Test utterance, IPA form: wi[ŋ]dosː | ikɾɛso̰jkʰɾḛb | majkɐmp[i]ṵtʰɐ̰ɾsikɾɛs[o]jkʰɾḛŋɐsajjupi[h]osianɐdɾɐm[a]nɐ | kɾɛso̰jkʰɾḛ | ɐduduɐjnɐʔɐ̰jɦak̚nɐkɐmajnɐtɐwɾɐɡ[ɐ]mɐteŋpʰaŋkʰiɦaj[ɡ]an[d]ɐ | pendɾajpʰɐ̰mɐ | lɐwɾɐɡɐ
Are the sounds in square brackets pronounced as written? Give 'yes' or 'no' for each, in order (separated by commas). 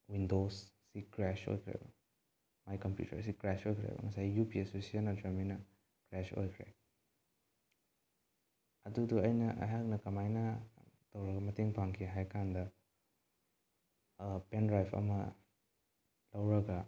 no, no, yes, no, no, yes, no, yes